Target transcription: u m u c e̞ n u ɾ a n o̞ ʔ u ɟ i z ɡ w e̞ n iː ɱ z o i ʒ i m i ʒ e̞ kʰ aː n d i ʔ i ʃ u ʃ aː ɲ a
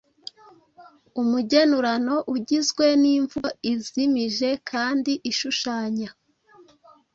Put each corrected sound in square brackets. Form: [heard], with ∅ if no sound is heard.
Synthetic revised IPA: u m u [ɟ] e̞ n u ɾ a n o̞ ʔ u ɟ i z ɡ w e̞ n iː ɱ [v] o i [z] i m i ʒ e̞ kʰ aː n d i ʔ i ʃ u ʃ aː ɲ a